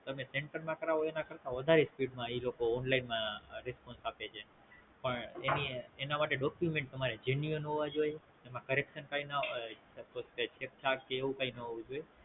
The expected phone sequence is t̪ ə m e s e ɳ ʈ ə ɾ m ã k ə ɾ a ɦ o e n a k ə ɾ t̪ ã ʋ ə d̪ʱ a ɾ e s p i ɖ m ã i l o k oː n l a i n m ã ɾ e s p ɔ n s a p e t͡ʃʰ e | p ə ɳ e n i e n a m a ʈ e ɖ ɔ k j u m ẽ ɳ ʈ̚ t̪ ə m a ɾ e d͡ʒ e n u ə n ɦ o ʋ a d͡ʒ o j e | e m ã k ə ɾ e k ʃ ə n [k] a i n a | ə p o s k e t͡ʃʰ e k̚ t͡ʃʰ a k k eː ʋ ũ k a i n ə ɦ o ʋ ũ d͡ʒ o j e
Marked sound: correct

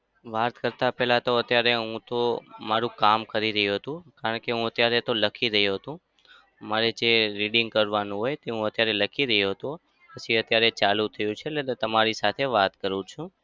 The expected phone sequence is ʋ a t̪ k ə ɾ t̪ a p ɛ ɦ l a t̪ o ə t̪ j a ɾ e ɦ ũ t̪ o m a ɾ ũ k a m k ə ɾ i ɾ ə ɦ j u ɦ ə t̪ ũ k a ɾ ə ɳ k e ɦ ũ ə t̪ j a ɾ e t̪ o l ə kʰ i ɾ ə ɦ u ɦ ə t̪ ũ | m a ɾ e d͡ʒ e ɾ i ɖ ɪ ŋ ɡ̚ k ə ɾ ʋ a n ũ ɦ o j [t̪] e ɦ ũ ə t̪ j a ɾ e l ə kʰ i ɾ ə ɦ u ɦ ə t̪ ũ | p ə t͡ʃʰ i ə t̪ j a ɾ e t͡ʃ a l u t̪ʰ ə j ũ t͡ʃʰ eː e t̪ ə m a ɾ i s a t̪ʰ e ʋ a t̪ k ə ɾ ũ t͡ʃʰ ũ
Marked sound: correct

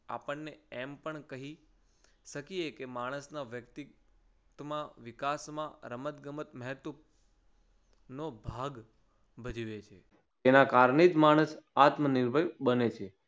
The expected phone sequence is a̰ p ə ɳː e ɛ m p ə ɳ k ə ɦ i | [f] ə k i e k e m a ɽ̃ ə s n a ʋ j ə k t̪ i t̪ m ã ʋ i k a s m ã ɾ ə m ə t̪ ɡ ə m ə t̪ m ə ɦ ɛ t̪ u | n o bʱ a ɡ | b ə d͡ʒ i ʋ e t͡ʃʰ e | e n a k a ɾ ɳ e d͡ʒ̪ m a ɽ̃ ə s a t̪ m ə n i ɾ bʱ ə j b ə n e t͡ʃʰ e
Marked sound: incorrect: ʃ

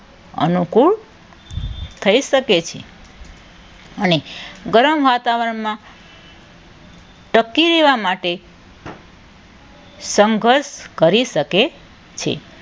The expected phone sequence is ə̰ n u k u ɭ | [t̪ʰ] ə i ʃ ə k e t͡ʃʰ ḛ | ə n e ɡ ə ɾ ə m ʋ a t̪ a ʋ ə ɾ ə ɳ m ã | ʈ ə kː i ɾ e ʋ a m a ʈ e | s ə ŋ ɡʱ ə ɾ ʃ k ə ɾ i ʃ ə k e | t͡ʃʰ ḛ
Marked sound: correct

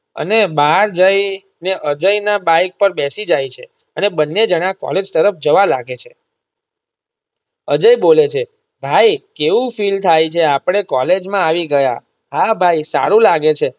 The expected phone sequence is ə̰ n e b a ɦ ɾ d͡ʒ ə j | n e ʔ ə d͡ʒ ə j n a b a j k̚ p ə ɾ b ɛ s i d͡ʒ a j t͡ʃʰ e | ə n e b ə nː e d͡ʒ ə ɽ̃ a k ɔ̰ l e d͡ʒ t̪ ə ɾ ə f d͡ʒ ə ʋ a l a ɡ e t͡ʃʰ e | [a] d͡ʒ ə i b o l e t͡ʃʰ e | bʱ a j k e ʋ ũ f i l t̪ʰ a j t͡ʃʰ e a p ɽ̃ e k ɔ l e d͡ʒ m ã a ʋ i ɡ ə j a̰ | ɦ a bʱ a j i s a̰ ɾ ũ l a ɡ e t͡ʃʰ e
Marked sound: incorrect: ə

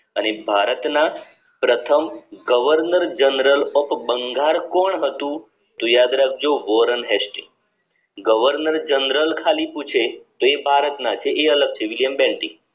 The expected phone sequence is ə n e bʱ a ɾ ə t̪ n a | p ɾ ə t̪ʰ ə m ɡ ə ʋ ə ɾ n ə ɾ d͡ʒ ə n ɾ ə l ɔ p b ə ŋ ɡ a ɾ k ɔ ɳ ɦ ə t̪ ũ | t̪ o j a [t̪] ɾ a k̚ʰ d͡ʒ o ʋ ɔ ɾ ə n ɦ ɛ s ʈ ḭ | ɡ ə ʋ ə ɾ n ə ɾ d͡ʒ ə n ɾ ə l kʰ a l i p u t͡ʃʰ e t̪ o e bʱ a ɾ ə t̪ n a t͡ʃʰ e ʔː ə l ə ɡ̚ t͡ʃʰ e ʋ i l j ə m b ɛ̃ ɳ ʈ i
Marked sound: incorrect: d̪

